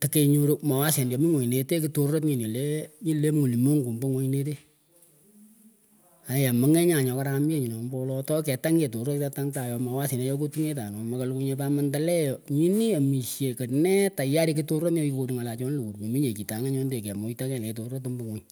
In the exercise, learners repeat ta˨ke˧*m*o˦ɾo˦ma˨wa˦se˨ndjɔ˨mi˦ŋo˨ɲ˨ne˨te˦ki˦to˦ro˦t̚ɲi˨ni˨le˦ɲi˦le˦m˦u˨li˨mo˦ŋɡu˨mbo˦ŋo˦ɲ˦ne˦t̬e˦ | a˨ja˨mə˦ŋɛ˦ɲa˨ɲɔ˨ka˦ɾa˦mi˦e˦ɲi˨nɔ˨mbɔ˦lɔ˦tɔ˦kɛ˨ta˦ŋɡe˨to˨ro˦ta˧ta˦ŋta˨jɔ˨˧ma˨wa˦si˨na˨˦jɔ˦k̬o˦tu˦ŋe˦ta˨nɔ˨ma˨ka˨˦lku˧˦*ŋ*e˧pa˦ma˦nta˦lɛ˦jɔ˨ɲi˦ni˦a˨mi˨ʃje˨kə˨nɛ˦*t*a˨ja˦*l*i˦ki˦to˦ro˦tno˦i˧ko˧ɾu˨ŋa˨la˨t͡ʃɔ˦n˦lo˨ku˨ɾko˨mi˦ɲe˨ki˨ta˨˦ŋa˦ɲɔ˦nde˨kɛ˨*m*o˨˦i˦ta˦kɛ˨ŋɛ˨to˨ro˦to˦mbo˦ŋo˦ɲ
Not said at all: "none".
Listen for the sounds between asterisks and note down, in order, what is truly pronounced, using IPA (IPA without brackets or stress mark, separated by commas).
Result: ɲ, ɲ, t, ɾ, m